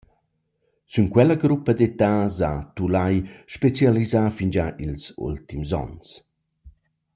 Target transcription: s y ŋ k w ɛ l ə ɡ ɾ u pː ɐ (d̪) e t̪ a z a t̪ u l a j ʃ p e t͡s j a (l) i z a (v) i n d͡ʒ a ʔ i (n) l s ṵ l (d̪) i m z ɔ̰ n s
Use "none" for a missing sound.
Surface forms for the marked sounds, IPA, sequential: d̪, l, f, none, t̪

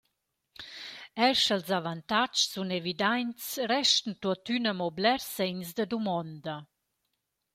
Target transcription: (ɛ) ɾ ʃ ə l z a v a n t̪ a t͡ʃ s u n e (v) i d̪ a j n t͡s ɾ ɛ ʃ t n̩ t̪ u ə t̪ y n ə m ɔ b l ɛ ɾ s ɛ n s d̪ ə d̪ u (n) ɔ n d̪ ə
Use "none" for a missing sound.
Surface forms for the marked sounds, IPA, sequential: ɛ, v, m

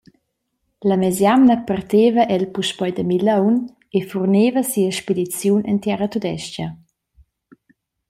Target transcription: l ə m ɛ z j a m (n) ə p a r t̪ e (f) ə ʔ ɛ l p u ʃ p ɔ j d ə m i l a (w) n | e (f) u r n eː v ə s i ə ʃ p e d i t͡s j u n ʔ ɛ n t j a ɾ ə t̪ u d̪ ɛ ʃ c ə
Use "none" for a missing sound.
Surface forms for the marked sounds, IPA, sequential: n, v, w, f

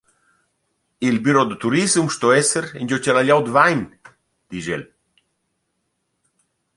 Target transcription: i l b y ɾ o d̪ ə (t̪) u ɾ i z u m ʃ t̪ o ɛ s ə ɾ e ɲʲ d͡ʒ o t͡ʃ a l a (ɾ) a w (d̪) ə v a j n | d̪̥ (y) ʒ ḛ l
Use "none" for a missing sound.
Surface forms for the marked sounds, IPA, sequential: t̪, ʎ, d̪, i

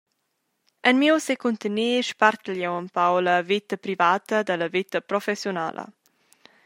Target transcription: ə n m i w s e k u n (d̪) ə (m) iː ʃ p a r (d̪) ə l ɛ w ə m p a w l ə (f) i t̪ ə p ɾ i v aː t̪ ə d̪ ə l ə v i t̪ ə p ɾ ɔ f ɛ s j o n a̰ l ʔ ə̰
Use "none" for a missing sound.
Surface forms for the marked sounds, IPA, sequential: t̪, n, t̪, v

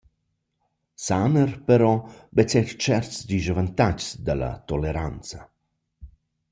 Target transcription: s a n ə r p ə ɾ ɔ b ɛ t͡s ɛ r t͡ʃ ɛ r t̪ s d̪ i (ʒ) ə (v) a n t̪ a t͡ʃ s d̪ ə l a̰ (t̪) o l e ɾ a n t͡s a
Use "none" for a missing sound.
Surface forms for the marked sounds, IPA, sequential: ʒ, v, t̪

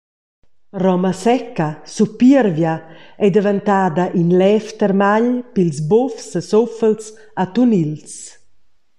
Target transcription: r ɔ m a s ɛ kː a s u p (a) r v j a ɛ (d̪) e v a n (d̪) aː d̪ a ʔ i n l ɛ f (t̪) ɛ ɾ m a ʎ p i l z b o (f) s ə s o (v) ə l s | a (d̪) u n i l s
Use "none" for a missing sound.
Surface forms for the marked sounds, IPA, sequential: i, d̪, t̪, t̪, f, f, t̪

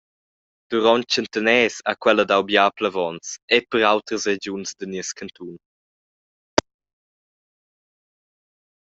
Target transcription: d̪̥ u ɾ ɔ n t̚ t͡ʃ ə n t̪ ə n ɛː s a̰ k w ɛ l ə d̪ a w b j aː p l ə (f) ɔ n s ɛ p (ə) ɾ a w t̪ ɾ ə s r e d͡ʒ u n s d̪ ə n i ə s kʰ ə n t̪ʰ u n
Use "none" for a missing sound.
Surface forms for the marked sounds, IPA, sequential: v, ə

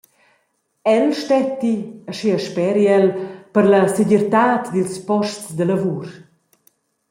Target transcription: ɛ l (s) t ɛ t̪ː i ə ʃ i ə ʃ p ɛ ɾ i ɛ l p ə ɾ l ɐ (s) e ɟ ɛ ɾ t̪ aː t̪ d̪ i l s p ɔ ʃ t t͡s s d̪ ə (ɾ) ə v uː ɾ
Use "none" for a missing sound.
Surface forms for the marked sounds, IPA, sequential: ʃ, s, l

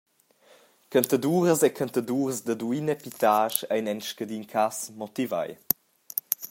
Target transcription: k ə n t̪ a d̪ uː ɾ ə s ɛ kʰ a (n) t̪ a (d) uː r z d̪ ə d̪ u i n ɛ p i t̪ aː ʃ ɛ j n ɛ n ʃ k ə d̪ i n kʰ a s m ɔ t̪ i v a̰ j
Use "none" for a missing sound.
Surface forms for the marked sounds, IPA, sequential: n, d

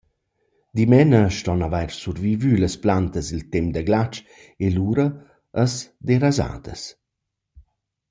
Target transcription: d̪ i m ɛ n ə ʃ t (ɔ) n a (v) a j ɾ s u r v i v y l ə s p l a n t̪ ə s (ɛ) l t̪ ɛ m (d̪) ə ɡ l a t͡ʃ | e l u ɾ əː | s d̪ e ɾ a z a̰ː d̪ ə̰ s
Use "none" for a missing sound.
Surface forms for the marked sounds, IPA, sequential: ɔ, v, i, d̪

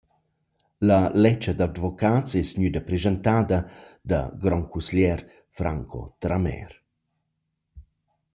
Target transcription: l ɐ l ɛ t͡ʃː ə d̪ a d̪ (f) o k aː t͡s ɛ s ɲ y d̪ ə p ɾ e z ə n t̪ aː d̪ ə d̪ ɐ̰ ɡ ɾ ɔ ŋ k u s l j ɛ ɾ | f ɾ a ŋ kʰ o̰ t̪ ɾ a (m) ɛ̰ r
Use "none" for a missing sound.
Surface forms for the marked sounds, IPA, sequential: v, m

